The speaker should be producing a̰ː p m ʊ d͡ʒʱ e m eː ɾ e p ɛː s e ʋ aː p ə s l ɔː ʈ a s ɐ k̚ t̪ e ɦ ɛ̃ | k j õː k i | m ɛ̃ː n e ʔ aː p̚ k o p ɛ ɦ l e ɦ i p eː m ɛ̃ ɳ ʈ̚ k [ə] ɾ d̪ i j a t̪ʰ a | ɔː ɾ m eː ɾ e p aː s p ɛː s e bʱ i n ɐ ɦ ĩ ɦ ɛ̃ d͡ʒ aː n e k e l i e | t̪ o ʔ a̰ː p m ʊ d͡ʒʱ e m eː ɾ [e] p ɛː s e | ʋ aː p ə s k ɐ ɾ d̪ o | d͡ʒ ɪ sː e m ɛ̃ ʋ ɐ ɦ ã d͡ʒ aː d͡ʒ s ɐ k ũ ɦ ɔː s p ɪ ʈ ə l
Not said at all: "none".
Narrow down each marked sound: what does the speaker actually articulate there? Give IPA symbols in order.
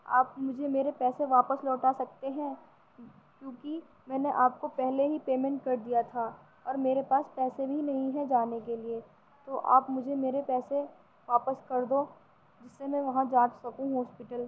ɐ, e

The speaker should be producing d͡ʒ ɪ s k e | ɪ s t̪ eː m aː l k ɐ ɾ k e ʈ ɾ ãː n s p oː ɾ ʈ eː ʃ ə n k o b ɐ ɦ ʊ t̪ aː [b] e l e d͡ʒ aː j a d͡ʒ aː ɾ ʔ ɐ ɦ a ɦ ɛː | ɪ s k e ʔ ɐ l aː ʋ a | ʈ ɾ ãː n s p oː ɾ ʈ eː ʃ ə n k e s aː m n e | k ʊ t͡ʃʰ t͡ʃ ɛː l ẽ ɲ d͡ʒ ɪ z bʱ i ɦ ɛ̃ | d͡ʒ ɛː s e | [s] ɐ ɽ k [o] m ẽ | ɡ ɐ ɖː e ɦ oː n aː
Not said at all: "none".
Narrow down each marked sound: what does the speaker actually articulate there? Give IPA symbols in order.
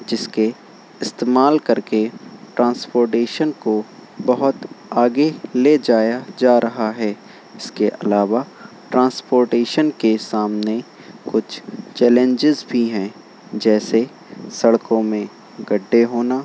ɡ, s, õ

